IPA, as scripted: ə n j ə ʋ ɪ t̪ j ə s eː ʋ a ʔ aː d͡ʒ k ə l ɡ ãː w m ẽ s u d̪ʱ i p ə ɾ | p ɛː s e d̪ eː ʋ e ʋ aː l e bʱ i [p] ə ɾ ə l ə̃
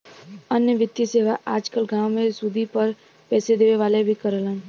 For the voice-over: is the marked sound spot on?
no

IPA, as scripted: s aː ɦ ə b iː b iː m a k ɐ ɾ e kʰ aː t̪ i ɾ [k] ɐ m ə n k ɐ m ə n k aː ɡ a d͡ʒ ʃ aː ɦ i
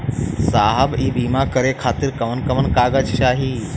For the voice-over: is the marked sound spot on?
yes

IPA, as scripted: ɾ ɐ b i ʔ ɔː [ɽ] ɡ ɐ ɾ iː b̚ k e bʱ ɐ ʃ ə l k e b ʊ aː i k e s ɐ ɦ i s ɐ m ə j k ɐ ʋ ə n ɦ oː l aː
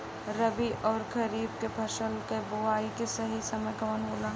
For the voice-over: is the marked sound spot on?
no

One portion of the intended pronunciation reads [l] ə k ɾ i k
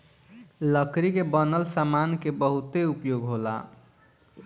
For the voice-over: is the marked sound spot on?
yes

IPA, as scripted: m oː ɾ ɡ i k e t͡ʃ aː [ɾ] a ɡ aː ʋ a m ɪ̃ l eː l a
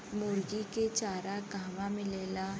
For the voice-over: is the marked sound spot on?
yes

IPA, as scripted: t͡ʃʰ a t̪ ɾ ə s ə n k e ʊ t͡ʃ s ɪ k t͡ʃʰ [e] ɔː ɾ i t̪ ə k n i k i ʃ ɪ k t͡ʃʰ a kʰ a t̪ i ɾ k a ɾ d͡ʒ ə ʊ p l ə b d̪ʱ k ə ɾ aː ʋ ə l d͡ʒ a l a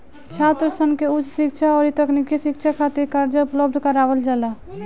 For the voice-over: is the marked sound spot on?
no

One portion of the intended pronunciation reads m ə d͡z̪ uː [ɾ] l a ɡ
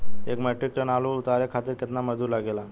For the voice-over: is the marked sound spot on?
yes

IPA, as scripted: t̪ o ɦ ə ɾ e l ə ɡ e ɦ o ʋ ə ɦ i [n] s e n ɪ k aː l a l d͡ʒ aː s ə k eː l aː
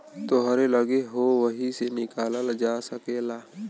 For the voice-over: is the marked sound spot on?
no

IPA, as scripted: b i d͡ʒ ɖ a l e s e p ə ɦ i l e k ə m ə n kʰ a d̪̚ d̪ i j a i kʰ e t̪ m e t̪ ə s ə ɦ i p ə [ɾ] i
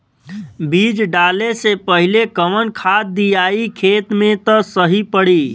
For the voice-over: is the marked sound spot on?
no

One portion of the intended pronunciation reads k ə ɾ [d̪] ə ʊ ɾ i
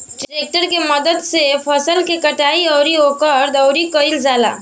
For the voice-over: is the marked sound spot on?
yes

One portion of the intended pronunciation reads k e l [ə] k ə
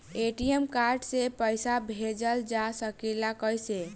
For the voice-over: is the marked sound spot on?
no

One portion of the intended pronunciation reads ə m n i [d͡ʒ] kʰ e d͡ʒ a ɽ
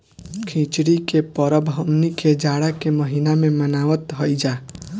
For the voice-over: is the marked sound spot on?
no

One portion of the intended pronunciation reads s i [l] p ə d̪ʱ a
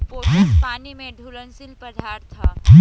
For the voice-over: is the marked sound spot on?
yes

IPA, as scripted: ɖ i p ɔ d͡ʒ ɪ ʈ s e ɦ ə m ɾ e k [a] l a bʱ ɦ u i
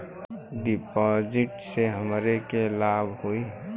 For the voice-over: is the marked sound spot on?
no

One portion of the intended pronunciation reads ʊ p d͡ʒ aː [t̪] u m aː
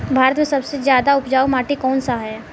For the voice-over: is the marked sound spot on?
no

